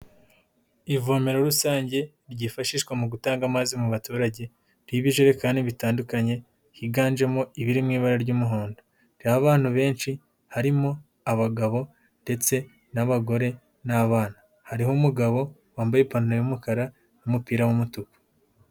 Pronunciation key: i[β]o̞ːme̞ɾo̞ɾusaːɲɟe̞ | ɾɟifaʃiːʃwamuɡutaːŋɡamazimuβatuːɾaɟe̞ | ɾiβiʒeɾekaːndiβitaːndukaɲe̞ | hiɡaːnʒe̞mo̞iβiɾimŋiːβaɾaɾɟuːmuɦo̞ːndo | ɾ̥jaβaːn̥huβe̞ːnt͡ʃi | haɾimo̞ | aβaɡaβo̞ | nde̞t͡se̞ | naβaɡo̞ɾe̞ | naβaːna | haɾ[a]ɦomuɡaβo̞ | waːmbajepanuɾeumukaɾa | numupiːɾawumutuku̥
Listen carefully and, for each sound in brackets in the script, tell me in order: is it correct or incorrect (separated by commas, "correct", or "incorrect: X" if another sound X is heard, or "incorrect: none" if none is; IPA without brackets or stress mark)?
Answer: incorrect: v, incorrect: i